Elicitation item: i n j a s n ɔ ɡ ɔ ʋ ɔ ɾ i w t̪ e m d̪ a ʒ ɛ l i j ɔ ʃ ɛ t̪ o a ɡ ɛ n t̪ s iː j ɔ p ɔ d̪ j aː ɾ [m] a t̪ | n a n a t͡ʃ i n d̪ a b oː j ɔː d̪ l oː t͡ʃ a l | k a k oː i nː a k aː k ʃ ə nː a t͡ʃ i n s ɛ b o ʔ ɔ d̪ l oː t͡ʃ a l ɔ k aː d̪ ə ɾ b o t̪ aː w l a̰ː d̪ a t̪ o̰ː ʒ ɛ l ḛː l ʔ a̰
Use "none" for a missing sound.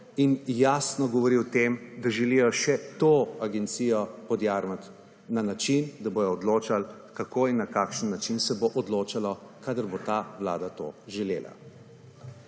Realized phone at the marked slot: m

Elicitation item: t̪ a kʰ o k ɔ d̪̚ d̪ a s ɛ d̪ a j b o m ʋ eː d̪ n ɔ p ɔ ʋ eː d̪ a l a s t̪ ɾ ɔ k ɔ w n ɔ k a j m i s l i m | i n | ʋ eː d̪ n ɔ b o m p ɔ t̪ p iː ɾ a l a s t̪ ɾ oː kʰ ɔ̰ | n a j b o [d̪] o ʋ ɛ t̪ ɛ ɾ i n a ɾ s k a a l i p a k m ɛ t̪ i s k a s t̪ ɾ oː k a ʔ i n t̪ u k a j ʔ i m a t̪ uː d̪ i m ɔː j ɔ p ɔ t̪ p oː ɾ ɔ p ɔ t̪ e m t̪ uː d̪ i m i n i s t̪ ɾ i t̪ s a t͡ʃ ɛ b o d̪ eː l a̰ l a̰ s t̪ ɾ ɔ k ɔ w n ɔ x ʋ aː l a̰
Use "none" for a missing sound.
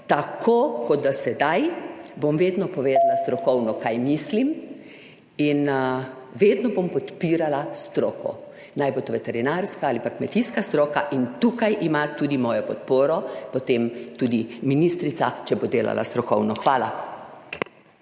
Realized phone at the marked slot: t̪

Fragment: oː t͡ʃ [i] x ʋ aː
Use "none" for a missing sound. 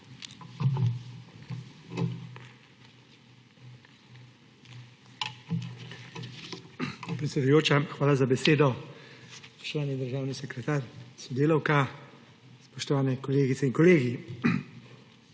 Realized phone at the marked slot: a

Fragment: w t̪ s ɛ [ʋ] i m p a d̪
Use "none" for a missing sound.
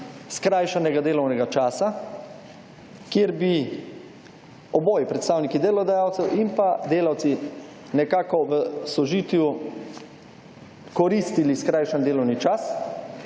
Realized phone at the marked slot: w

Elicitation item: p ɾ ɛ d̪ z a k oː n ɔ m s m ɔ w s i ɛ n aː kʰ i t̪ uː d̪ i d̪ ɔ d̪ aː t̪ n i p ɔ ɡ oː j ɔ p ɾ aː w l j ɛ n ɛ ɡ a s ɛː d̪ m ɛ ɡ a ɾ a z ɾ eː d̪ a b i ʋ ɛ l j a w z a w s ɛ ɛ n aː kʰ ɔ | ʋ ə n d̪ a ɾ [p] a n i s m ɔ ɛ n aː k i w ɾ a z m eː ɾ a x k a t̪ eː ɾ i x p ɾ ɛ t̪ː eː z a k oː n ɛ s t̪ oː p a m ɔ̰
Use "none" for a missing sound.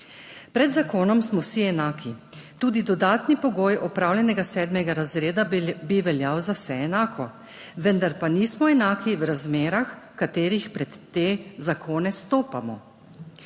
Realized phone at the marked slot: p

